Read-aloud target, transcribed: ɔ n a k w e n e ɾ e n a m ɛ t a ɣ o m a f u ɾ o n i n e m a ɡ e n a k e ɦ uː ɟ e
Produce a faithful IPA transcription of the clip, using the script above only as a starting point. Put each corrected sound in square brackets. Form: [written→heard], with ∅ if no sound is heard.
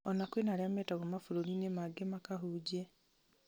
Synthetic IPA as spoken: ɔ n a k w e n [e→a] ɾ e [n→∅] a m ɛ t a ɣ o m a f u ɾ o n i n e m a ɡ e [n→m] a k [e→a] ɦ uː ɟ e

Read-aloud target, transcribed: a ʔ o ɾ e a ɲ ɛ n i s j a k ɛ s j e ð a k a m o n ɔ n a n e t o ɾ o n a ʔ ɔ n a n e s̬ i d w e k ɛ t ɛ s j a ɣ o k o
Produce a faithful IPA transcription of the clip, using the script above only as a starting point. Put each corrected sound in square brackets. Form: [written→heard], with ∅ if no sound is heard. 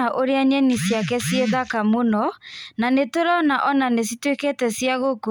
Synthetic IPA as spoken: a ʔ o ɾ e a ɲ ɛ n i s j a k ɛ s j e ð a k a m o n ɔ n a n e t o ɾ [o→ɔ] n a ʔ ɔ n a n e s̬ i [d→t] w e k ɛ t ɛ s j a ɣ o k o

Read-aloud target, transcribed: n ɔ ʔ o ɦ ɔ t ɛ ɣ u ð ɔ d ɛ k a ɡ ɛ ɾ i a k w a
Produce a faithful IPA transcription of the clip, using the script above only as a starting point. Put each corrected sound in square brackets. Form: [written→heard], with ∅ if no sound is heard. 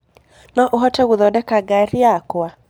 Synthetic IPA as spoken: n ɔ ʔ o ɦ ɔ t ɛ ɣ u ð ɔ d ɛ k a ɡ [ɛ→a] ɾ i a k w a

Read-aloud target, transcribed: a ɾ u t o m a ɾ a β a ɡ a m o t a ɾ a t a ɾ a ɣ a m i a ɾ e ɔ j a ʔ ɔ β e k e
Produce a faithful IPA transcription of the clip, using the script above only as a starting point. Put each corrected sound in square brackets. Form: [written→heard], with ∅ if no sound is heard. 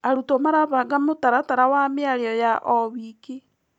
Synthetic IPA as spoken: a ɾ u t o m a ɾ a β a ɡ a m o t a ɾ a t a ɾ a [ɣ→w] a m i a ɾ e ɔ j a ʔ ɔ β [e→i] k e

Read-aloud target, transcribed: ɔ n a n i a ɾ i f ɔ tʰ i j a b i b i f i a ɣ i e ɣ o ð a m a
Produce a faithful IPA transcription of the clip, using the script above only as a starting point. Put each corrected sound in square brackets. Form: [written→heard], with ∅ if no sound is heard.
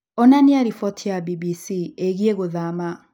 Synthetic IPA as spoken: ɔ n a n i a ɾ i f ɔ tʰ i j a b i b i [f→s] i [a→e] ɣ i e ɣ o ð a m a

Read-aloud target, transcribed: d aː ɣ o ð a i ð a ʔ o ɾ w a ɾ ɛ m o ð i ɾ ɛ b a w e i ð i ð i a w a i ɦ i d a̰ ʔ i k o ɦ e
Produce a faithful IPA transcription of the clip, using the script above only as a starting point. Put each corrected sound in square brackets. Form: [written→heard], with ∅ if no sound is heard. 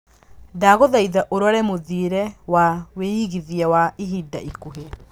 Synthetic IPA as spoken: d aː ɣ o ð a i ð a ʔ o ɾ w a ɾ ɛ m o ð i ɾ ɛ [b→w] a w e i [ð→ɣ] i ð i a w a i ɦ i d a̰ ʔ i k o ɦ e

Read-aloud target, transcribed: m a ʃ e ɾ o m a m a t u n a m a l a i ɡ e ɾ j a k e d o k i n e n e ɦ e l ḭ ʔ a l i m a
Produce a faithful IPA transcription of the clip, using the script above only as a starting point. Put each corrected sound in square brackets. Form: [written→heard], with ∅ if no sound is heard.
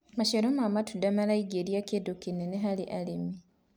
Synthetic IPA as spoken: m a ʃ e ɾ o m a m a t u [n→d] a m a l a i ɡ e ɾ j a k e d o k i n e n e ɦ [e→a] l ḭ ʔ a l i m [a→i]

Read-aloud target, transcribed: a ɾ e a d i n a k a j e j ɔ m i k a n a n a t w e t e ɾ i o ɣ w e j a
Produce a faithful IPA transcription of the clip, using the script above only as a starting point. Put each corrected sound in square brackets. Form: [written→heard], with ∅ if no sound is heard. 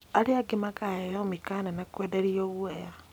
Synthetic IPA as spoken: a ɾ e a [d→ɡ] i [n→m] a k a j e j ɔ m i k a n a n a [t→k] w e [t→d] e ɾ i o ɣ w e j a

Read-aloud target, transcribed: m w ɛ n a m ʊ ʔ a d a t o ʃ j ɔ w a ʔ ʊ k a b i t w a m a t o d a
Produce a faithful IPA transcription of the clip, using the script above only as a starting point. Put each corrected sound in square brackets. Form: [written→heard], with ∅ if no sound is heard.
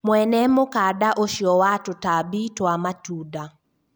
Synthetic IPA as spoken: m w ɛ n [a→ɛ] m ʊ [ʔ→k] a d a [t→ʔ] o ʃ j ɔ w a [ʔ→t] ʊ [k→t] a b i t w a m a t [o→u] d a

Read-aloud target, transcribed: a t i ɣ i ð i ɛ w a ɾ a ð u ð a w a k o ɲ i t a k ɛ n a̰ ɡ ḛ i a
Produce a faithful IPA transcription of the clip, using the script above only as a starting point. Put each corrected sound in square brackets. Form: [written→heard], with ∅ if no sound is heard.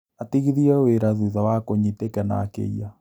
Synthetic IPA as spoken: a t i ɣ i ð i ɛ w [a→e] ɾ a ð u ð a w a k o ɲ i t [a→e] k ɛ n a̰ [ɡ→k] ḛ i a

